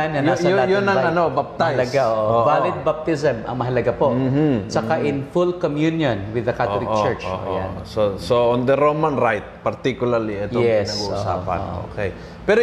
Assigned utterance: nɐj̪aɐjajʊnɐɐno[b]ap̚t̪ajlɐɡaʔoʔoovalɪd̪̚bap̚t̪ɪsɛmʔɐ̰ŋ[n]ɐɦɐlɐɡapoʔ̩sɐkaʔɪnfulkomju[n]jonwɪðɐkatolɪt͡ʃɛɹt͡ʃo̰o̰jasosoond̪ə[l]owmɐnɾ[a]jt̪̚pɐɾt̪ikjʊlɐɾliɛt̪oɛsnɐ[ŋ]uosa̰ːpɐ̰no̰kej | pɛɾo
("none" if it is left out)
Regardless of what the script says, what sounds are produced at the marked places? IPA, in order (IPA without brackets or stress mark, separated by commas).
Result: b, m, n, ɾ, a, ɡ